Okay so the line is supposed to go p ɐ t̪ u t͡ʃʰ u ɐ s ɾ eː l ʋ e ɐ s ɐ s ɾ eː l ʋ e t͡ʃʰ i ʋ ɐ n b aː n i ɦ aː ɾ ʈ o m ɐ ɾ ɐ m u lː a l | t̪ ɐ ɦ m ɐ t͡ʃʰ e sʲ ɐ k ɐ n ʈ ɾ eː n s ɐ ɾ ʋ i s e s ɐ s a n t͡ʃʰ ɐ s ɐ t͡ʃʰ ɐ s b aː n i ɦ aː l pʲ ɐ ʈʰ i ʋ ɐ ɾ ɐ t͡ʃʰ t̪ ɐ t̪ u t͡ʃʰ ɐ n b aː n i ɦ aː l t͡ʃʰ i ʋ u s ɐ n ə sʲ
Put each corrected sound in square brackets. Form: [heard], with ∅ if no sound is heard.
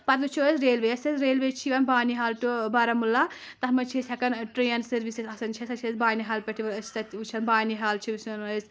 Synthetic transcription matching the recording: p ɐ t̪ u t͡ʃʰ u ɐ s ɾ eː l ʋ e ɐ s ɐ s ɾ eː l ʋ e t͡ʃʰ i ʋ ɐ n b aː n i ɦ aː [l] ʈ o [b] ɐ ɾ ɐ m u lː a [∅] | t̪ ɐ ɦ m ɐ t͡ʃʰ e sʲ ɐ k ɐ n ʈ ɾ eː n s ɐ ɾ ʋ i s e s ɐ s [ɐ] n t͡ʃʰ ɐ s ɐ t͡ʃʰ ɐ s b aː n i ɦ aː l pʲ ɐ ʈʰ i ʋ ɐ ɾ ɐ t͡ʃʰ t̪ ɐ t̪ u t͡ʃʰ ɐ n b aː n i ɦ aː l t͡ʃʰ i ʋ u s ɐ n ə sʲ